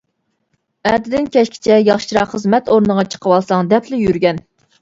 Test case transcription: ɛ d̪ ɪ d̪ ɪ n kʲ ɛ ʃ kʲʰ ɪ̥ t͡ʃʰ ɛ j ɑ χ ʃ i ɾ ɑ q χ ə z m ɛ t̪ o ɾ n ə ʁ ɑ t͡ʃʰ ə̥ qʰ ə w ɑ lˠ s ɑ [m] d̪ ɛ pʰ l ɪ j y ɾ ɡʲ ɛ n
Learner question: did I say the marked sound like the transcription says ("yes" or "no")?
no